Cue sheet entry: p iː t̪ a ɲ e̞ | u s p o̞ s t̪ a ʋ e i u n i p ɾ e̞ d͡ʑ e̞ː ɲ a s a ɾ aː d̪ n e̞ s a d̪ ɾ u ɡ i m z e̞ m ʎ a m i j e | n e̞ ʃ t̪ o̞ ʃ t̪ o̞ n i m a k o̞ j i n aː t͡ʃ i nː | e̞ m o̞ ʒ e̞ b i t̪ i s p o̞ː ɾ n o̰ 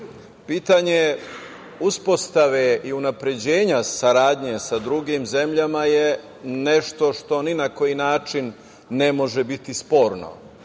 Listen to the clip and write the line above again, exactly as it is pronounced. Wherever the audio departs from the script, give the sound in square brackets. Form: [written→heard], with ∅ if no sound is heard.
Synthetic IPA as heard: p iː t̪ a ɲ e̞ | u s p o̞ s t̪ a ʋ e i u n [i→a] p ɾ e̞ d͡ʑ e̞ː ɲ a s a ɾ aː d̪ [n→ɲ] e̞ s a d̪ ɾ u ɡ i m z e̞ m ʎ a m [i→a] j e | n e̞ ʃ t̪ o̞ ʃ t̪ o̞ n i [m→n] a k o̞ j i n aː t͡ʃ i nː | e̞ m o̞ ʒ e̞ b i t̪ i s p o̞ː ɾ n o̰